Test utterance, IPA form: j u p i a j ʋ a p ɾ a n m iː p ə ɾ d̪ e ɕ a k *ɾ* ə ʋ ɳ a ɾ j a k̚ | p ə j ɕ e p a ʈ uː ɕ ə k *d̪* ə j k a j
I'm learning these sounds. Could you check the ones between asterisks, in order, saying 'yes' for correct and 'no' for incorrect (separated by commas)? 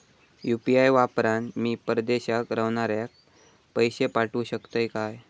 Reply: yes, no